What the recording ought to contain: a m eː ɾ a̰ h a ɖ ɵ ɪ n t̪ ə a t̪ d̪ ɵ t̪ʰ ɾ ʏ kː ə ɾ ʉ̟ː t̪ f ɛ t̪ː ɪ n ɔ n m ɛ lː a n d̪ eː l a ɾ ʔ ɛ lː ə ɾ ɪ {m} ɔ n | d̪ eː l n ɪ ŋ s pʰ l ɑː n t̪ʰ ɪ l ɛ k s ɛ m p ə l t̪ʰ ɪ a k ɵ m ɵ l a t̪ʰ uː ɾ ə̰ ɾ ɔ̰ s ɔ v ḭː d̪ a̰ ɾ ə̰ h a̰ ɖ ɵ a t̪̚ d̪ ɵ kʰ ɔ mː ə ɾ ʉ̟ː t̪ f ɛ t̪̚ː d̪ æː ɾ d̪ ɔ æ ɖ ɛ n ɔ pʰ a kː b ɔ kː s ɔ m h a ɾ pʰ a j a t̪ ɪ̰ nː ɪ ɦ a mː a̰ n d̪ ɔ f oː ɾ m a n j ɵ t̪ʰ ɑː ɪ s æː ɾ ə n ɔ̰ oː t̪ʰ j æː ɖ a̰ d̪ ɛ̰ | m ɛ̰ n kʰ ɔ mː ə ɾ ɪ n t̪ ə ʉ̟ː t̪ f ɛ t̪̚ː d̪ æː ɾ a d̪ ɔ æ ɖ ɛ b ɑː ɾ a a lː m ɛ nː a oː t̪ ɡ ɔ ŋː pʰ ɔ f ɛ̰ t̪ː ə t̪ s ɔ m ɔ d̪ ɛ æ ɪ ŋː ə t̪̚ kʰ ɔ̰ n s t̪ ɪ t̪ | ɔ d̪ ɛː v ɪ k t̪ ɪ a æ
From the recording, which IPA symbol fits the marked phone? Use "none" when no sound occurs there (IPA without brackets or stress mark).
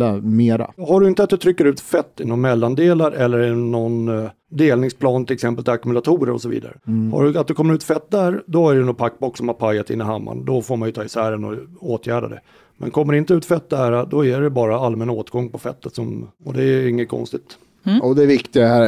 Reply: n